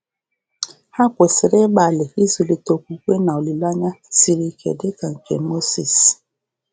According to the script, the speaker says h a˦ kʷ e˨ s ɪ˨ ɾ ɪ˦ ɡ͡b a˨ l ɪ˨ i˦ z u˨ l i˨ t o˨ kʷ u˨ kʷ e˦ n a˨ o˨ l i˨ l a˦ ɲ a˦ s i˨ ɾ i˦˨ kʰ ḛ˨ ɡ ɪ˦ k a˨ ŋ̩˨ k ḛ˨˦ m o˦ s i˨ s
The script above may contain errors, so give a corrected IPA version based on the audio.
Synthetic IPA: h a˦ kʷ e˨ s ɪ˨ ɾ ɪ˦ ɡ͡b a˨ l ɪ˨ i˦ z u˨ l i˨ t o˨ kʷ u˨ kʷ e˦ n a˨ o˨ l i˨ l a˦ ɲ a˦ s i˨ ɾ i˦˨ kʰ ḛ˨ d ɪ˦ k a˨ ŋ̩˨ k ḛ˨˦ m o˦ s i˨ s